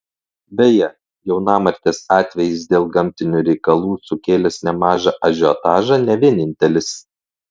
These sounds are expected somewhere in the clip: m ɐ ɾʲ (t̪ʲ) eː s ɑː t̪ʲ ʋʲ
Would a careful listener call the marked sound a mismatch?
no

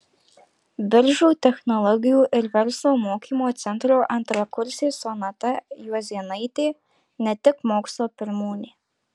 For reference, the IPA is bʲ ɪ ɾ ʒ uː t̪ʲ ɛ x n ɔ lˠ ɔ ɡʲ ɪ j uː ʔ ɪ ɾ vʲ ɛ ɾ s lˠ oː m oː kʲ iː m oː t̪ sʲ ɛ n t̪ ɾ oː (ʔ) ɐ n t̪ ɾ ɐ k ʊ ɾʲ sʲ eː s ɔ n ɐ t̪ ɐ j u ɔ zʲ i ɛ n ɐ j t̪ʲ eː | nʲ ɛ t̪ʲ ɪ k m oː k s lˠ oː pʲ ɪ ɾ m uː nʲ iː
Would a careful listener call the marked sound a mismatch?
no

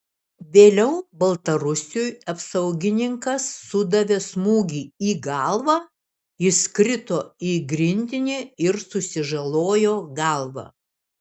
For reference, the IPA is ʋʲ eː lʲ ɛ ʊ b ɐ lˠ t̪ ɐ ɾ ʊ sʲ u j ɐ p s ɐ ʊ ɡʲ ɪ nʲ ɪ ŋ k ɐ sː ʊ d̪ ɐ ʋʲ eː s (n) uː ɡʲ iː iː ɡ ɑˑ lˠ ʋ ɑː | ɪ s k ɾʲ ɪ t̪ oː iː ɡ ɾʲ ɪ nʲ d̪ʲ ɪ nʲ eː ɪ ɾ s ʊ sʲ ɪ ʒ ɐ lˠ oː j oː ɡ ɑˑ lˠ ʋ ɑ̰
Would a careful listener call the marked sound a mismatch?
yes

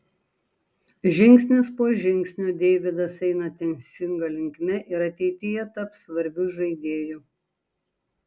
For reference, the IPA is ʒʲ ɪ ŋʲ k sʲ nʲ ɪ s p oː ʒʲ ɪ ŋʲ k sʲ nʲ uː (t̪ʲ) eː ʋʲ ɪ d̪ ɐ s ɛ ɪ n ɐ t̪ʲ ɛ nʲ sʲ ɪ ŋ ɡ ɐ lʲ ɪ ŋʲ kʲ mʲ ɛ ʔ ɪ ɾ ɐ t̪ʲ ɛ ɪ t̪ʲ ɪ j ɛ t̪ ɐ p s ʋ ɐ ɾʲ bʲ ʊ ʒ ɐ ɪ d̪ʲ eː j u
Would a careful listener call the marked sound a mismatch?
yes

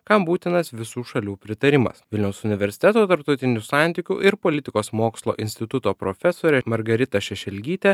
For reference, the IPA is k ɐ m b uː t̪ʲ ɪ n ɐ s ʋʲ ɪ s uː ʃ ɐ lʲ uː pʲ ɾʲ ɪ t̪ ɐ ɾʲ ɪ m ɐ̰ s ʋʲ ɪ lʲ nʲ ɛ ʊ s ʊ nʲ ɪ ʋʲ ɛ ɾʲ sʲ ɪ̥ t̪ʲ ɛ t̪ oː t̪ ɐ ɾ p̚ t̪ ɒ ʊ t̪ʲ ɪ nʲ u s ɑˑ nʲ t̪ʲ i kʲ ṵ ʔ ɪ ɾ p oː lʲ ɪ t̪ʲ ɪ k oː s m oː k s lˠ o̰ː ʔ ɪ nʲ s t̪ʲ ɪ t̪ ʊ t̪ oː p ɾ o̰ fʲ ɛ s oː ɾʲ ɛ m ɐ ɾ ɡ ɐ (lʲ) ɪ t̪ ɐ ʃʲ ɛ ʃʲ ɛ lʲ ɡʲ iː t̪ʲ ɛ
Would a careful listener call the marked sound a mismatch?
yes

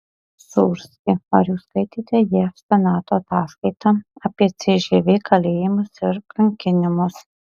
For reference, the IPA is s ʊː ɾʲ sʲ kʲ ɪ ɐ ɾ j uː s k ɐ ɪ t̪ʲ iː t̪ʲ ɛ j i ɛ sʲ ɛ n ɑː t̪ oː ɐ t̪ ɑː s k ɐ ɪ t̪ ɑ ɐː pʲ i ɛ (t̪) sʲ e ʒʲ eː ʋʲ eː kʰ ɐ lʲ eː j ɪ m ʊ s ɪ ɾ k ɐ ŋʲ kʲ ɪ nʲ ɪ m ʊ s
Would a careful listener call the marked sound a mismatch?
no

